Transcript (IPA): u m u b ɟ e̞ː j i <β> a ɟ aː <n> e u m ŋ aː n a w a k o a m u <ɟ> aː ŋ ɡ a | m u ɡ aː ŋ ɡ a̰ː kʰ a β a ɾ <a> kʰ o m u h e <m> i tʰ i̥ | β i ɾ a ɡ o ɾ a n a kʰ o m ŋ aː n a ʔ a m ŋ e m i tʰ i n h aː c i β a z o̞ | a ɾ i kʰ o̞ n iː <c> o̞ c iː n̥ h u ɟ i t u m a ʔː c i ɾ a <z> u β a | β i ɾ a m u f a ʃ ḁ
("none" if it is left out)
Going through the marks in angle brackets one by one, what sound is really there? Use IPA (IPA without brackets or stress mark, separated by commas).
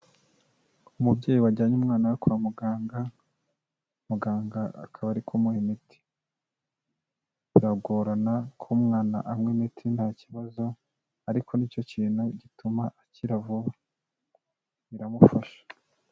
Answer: w, ɲ, ɡ, i, m, c, v